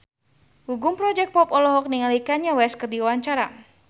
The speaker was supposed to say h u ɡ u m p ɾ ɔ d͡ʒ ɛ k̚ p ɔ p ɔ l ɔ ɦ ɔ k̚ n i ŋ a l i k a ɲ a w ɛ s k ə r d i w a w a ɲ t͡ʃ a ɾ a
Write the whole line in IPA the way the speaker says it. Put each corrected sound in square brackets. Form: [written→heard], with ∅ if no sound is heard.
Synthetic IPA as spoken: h u ɡ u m p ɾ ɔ d͡ʒ ɛ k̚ p ɔ p ɔ l ɔ ɦ ɔ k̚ n i ŋ a l i k a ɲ a w ɛ s k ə r d i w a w a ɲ t͡ʃ a ɾ a